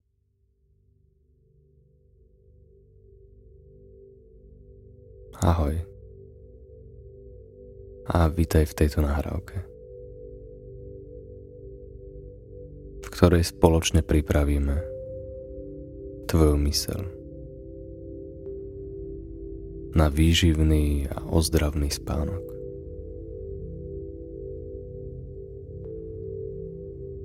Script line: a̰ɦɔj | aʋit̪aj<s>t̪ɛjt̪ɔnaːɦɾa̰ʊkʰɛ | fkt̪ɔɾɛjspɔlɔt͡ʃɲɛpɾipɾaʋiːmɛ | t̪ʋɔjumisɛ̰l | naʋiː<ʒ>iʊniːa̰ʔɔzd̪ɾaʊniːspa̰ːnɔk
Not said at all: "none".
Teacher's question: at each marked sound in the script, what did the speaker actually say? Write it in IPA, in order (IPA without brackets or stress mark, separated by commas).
f, ʒ